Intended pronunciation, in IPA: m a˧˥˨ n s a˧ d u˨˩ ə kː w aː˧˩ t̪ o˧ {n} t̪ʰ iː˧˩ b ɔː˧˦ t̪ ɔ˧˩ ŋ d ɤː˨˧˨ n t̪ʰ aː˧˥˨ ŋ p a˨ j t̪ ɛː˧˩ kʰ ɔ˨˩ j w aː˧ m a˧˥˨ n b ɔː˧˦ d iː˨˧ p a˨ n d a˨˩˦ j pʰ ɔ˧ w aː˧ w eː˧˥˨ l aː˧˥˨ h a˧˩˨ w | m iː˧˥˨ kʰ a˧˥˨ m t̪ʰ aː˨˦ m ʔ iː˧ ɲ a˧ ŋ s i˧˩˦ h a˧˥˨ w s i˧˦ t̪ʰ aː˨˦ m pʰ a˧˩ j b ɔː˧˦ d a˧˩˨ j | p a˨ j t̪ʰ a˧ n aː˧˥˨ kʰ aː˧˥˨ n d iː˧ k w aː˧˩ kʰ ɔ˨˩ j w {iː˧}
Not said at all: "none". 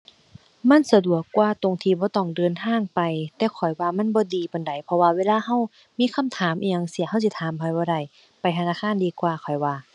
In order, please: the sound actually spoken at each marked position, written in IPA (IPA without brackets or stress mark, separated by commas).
ŋ, aː˧